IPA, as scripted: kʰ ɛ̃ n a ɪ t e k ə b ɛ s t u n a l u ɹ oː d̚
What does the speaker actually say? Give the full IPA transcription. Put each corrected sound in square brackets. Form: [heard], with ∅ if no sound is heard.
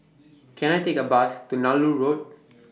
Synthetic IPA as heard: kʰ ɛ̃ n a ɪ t e k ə b [a] s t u n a l u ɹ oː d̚